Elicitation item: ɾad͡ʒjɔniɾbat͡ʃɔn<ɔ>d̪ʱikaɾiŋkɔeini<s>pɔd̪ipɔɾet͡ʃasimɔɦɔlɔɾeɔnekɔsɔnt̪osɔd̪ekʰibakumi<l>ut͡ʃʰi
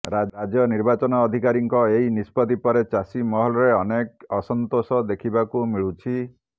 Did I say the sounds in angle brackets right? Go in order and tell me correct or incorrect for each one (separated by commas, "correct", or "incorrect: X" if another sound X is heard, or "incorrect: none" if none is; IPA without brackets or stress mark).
incorrect: ɔː, correct, incorrect: ɭ